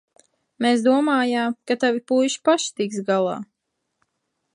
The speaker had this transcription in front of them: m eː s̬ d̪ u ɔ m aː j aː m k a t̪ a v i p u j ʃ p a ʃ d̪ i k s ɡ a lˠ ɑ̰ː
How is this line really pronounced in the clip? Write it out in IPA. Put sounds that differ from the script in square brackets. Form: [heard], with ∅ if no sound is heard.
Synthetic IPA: m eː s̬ d̪ u ɔ m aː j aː m k a t̪ a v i p u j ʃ p a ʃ [t̪] i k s ɡ a lˠ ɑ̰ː